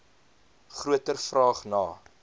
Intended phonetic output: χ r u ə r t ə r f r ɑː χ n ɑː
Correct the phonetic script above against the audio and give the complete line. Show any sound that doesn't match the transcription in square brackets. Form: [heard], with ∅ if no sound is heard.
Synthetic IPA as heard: χ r u ə [∅] t ə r f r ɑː χ n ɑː